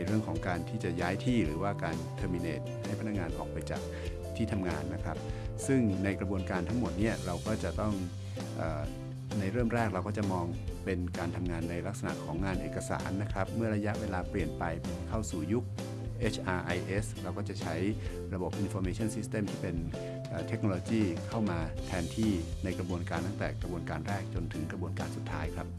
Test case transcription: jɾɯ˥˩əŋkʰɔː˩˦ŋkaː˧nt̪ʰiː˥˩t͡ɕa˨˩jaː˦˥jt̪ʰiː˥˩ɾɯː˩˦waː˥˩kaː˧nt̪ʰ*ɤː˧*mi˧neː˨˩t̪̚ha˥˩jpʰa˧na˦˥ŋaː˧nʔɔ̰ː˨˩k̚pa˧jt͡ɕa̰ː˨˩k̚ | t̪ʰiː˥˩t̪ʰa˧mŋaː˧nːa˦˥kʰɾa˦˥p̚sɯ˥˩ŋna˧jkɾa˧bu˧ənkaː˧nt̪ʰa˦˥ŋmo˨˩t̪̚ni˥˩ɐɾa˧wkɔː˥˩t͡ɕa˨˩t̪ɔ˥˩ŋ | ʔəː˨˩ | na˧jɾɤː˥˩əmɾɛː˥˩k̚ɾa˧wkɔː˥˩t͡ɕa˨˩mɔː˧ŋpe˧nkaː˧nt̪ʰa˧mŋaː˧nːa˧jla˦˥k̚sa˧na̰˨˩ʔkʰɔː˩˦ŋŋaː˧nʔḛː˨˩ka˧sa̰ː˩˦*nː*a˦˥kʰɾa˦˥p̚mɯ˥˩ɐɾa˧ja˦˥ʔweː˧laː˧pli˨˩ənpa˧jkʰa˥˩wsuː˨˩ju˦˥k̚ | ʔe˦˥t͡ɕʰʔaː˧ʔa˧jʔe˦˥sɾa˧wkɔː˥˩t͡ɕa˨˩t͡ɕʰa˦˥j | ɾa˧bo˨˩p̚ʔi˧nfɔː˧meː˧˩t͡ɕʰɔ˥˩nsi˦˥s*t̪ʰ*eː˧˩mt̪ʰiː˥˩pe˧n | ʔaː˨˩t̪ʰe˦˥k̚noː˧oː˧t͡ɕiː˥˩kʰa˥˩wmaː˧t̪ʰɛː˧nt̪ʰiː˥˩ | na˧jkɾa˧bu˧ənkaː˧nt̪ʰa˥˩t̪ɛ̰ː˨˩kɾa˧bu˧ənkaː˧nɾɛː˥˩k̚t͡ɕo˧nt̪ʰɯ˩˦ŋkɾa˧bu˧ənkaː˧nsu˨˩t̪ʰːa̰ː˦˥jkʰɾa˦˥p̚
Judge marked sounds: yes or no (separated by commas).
yes, yes, no